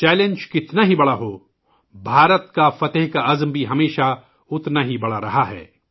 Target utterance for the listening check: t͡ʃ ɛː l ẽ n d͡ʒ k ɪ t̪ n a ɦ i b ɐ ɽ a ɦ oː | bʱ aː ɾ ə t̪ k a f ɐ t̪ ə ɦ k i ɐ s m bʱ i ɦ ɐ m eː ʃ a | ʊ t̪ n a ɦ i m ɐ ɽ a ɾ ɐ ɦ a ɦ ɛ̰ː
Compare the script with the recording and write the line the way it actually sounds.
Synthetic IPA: t͡ʃ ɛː l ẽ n d͡ʒ k ɪ t̪ n a ɦ i b ɐ ɽ a ɦ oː | bʱ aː ɾ ə t̪ k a f ɐ t̪ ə ɦ k a ɐ z m bʱ i ɦ ɐ m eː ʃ a | ʊ t̪ n a ɦ i b ɐ ɽ a ɾ ɐ ɦ a ɦ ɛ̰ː